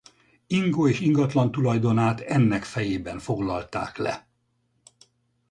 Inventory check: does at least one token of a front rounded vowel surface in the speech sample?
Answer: no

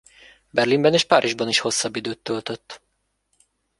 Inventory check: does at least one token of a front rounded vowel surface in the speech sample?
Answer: yes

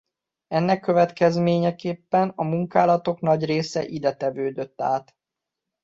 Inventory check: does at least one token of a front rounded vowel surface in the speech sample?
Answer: yes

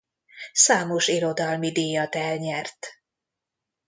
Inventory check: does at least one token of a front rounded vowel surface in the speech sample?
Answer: no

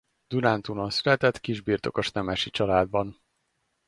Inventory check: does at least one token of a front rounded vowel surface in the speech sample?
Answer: yes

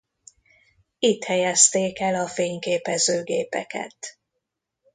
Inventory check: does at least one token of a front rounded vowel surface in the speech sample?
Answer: yes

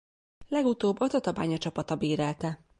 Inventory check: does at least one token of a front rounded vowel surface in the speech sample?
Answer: no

